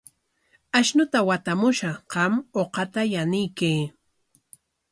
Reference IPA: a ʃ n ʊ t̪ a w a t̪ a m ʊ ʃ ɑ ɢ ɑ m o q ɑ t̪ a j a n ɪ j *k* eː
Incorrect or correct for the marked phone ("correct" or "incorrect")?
correct